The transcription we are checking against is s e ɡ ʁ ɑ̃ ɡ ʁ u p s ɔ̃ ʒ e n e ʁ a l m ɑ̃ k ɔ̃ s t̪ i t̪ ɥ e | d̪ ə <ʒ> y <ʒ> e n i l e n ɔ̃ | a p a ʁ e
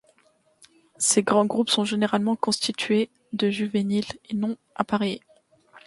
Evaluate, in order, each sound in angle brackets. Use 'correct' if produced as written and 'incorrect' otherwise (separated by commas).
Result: correct, incorrect